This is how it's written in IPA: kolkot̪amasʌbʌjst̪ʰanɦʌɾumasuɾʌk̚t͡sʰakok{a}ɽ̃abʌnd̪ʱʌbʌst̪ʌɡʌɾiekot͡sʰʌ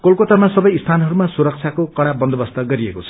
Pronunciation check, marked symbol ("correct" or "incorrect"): incorrect